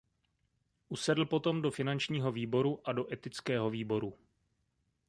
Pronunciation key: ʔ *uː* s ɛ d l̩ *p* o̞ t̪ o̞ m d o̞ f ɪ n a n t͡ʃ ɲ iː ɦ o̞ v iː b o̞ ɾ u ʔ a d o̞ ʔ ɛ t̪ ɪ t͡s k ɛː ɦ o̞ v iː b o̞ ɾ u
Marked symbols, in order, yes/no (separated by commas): no, yes